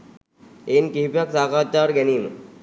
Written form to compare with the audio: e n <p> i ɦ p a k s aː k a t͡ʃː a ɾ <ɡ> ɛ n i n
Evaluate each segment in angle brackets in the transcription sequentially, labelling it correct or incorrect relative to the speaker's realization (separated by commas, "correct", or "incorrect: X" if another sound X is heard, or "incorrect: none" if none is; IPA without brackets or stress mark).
incorrect: k, correct